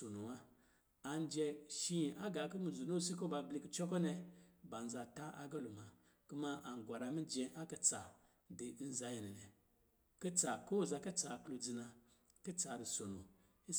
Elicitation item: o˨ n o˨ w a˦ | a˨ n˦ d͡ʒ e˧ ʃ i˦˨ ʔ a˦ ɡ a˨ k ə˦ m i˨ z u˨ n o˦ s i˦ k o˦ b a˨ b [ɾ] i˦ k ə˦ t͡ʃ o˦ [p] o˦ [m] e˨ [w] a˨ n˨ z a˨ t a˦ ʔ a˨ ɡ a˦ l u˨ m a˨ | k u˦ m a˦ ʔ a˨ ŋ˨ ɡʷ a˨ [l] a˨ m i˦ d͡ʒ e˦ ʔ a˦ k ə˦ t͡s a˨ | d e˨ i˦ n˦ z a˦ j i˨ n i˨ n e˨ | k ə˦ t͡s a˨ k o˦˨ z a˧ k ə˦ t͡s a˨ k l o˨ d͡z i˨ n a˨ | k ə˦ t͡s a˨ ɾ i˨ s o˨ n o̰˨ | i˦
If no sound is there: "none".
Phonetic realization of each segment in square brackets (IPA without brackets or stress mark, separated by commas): l, k, n, b, ɾ